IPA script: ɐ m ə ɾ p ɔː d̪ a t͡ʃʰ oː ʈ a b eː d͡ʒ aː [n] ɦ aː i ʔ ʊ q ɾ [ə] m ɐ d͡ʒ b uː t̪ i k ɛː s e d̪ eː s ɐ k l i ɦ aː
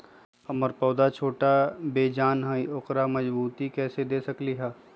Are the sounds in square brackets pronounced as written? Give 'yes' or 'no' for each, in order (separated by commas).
yes, no